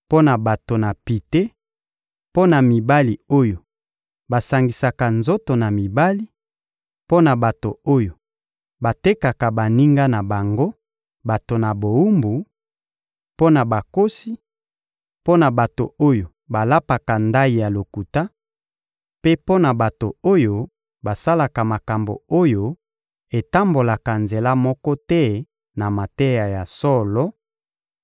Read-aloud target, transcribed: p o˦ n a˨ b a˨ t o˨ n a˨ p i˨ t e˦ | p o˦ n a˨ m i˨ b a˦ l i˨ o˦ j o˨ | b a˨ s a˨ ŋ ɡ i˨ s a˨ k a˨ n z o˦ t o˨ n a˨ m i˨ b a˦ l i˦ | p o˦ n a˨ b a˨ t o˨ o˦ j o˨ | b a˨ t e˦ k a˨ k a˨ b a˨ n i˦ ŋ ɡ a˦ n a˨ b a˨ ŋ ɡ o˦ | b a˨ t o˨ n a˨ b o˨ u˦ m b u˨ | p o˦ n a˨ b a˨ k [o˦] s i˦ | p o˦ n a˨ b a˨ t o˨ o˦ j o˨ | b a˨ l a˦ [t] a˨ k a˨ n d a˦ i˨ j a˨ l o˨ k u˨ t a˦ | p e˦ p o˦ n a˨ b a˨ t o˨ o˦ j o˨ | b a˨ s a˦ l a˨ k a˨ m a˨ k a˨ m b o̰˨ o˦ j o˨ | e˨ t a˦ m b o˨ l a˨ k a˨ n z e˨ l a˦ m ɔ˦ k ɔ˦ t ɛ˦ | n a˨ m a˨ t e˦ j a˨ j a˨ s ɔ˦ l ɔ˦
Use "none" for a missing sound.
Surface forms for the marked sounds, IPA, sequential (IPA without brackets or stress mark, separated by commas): o˦, p